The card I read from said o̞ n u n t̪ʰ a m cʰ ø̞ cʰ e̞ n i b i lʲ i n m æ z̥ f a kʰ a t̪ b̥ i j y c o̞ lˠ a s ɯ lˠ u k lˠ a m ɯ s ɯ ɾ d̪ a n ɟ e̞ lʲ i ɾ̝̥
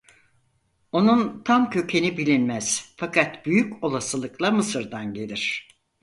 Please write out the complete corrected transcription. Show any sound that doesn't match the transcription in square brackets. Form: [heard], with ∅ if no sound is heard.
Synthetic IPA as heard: o̞ n u n t̪ʰ a m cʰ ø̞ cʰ e̞ n i b i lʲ i n m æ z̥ f a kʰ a t̪ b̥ [y] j y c o̞ lˠ a s ɯ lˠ [ɯ] k lˠ a m ɯ s ɯ ɾ d̪ a n ɟ e̞ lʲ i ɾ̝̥